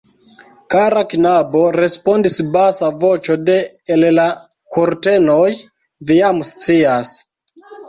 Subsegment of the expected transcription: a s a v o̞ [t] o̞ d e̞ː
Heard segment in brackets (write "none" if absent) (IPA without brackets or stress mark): t͡ʃ